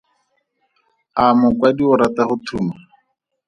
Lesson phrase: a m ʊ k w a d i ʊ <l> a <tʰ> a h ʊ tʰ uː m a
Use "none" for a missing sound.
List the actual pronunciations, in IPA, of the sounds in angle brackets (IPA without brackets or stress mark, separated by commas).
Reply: ɾ, t